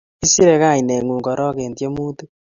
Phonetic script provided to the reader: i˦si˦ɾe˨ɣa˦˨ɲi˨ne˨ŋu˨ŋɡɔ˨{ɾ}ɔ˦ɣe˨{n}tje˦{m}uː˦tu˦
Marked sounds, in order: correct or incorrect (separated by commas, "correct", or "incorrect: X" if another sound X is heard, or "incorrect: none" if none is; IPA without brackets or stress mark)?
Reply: correct, correct, correct